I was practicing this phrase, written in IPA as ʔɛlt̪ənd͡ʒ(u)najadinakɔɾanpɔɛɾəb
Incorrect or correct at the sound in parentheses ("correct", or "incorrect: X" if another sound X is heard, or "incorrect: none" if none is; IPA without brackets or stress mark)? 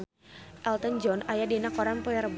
incorrect: ɔ